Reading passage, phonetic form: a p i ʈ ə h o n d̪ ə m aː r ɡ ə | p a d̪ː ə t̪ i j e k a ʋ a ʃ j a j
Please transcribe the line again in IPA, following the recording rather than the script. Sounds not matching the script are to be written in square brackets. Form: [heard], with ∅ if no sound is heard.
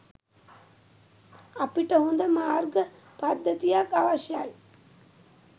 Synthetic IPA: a p i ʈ ə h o n d̪ ə m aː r ɡ ə | p a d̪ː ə t̪ i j [a] k a ʋ a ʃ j a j

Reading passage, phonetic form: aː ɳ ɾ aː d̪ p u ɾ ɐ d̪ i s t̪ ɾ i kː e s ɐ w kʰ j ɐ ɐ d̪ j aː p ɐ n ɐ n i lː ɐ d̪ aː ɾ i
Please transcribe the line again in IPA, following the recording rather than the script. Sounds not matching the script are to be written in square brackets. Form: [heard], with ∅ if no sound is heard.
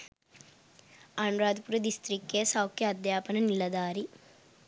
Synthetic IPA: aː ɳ ɾ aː d̪ p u ɾ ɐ d̪ i s t̪ ɾ i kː e s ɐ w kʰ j ɐ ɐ d̪ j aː p ɐ n ɐ n i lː ɐ d̪ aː ɾ i

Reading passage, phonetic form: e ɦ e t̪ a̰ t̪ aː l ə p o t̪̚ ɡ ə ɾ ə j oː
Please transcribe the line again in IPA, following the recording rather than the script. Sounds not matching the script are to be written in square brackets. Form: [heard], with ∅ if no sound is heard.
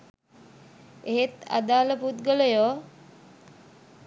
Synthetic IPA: e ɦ e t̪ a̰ [d̪] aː l ə p [u] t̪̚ ɡ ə [l] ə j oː

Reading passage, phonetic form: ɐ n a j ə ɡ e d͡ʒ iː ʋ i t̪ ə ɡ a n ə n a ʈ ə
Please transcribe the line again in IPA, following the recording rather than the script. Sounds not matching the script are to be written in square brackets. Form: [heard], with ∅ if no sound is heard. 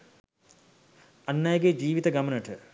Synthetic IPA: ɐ [nː] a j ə ɡ e d͡ʒ iː ʋ i t̪ ə ɡ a [m] ə n [ə] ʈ ə

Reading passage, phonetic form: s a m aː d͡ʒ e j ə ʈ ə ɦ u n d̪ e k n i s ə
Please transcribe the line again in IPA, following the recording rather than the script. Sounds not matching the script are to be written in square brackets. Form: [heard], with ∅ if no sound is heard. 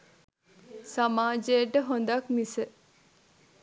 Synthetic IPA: s a m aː d͡ʒ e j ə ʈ ə ɦ [o] n d̪ [a] k [m] i s ə

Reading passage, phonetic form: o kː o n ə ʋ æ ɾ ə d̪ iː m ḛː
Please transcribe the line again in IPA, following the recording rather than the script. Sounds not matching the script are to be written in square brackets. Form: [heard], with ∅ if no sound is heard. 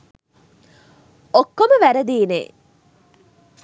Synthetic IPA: o kː o [m] ə ʋ æ ɾ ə d̪ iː [n] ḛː

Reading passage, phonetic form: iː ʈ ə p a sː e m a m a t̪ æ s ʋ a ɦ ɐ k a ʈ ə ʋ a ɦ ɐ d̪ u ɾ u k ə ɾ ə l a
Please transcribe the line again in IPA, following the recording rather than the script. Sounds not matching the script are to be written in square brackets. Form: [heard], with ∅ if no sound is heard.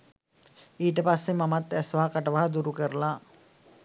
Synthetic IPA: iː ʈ ə p a sː e m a m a t̪ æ s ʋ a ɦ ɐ k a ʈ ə ʋ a ɦ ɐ d̪ u ɾ u k ə ɾ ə l a

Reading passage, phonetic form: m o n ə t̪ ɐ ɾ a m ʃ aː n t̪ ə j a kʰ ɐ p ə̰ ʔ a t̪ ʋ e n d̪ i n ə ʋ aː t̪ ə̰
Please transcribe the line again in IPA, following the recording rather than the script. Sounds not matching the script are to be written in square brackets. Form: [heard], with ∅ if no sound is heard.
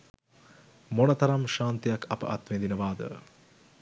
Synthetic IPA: m o n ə t̪ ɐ ɾ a m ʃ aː n t̪ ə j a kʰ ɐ p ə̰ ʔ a t̪ ʋ e n d̪ i n ə ʋ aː [d̪] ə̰

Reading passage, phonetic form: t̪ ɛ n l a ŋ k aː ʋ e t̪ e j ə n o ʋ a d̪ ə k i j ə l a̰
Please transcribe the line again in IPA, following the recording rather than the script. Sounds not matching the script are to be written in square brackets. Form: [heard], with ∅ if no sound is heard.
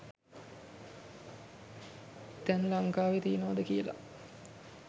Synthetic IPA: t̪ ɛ n l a ŋ k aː ʋ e t̪ [i] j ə n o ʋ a d̪ ə k i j ə l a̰

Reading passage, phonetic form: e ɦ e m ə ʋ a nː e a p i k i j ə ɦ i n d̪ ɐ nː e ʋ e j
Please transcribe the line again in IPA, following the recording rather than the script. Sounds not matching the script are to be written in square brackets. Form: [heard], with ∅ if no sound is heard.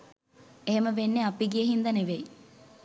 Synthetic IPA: e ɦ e m ə ʋ [e] nː e a p i [ɡ] i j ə ɦ i n d̪ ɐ [n] e ʋ e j

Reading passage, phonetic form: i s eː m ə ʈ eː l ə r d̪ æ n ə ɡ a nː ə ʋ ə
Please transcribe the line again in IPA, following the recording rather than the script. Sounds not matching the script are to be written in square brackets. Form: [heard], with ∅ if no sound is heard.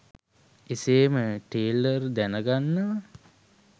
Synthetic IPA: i s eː m ə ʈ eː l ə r d̪ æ n ə ɡ a nː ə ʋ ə

